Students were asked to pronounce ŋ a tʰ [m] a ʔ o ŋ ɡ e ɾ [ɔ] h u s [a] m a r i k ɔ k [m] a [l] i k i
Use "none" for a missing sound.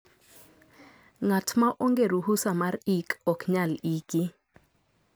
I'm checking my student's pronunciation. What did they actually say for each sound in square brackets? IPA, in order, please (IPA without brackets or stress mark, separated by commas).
m, u, a, ɲ, l